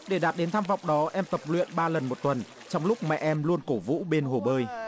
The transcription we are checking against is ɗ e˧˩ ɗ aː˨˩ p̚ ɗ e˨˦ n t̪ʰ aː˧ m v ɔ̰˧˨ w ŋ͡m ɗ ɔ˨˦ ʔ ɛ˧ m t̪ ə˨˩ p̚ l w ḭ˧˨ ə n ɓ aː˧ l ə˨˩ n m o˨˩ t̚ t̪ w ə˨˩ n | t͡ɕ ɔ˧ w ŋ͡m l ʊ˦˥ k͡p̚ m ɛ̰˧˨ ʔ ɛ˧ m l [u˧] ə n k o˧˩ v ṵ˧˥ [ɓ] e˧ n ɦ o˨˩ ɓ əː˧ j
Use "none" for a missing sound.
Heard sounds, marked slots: u˧, ɓ

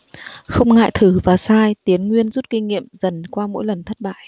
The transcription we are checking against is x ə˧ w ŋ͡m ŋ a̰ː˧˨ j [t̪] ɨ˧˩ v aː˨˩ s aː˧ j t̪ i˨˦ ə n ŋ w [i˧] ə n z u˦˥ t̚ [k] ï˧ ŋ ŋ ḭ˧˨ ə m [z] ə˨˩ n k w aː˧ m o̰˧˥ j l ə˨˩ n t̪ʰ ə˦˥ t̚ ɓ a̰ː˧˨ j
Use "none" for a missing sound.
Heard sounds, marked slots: t̪ʰ, i˧, k, z

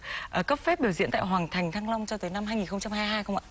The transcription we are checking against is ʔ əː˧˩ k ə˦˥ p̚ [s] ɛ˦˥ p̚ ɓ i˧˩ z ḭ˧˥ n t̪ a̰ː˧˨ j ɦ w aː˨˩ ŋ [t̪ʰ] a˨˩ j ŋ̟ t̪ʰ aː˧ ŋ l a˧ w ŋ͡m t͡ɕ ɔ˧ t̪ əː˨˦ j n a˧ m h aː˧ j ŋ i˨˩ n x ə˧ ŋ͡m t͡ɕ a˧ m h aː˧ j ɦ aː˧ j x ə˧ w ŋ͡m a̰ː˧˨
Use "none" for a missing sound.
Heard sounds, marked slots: f, t̪ʰ

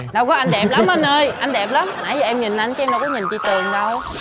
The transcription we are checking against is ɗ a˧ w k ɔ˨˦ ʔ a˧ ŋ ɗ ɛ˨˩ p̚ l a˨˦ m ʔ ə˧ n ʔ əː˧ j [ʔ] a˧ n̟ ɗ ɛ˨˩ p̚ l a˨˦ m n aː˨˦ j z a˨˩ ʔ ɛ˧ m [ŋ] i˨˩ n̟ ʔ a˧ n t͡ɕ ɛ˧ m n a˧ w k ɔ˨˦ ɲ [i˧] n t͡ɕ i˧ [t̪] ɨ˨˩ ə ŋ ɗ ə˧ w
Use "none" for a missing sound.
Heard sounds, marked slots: ʔ, ɲ, i˨˩, t̪

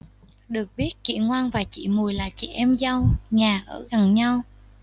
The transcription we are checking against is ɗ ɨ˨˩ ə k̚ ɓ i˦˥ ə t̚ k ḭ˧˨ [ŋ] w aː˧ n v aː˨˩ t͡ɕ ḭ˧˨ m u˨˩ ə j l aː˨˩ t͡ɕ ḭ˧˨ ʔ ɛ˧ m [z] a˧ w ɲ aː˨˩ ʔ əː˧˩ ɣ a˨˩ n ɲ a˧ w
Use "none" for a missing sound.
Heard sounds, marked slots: ŋ, z

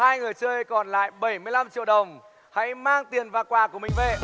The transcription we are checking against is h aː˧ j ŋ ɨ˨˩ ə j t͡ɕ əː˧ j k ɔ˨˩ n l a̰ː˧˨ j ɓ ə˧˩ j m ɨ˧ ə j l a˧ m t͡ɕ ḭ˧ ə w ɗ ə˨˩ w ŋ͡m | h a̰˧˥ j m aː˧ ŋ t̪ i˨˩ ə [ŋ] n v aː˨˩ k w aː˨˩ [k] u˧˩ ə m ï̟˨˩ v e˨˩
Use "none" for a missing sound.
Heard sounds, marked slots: none, k

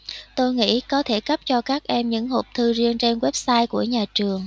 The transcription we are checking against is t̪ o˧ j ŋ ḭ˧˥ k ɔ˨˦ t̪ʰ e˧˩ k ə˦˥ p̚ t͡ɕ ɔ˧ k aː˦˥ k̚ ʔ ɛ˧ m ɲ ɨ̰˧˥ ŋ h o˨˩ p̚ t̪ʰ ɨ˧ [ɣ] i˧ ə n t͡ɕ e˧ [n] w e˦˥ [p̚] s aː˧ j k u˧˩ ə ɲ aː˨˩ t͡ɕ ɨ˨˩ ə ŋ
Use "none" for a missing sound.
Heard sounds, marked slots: z, n, p̚

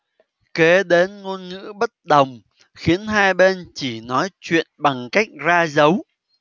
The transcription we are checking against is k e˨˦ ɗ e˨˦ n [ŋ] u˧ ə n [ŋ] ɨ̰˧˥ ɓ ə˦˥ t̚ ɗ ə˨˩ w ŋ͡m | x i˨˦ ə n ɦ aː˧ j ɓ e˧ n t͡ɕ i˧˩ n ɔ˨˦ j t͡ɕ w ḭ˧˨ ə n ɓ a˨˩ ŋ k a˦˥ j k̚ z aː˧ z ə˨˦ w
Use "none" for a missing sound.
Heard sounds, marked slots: ŋ, ŋ

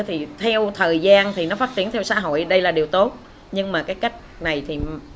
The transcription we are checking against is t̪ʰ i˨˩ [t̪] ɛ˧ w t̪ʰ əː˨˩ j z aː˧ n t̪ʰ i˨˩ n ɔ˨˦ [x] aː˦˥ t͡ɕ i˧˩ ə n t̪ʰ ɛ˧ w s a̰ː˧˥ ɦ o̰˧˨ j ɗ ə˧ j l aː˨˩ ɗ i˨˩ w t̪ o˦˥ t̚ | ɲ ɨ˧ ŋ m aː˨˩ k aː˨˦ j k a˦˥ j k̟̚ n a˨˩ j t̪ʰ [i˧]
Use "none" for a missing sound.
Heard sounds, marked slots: t̪ʰ, f, i˨˩

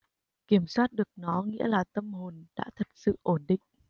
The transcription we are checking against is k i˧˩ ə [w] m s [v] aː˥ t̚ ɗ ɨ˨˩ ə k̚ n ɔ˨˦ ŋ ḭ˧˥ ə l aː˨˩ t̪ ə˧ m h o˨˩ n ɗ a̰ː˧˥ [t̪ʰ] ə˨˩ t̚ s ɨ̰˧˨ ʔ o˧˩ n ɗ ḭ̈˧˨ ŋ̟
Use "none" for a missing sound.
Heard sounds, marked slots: none, w, t̪ʰ

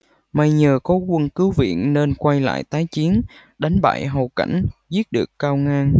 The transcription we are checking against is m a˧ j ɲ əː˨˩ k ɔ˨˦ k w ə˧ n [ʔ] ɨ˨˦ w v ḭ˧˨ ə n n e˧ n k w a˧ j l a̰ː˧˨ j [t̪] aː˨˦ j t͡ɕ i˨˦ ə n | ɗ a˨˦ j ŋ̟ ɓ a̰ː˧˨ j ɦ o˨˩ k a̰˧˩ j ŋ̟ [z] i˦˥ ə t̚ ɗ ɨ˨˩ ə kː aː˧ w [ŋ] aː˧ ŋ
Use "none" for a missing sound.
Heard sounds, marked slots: k, t̪, z, ŋ

